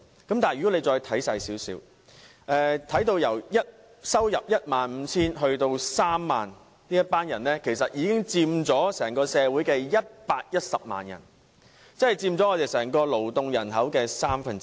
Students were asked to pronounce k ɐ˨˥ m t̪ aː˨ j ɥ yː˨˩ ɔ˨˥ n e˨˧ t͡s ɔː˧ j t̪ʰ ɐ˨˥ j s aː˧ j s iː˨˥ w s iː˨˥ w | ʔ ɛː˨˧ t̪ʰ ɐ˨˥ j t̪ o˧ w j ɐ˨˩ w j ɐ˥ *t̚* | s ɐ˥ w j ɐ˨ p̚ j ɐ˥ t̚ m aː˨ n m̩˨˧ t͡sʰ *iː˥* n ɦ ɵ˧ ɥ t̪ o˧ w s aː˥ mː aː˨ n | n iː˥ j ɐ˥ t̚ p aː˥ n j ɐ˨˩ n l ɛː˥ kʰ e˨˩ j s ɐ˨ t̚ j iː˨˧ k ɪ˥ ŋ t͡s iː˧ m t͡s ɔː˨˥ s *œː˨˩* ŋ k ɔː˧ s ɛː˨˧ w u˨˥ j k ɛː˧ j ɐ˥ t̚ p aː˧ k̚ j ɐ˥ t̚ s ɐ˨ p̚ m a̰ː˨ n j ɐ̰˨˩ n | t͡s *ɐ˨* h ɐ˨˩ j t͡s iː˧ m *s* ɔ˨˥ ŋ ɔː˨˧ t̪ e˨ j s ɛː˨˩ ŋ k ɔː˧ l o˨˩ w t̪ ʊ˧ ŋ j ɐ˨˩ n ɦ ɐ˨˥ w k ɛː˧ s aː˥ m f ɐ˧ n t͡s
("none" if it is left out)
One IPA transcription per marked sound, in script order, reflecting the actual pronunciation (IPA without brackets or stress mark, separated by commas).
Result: t̚, iː˥, ɛː˨˩, ɐ˥, t͡s